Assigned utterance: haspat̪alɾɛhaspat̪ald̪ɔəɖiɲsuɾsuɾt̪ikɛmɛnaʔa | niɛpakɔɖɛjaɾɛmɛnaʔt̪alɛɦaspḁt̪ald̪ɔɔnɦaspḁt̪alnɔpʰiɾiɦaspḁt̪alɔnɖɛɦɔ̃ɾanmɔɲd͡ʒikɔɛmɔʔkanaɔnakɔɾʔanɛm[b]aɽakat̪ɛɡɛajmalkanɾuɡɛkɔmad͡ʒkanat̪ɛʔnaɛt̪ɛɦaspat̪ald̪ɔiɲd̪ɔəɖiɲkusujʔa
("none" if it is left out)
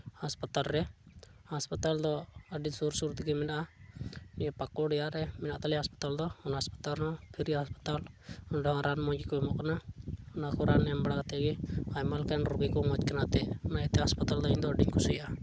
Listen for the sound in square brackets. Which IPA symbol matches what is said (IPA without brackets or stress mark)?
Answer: b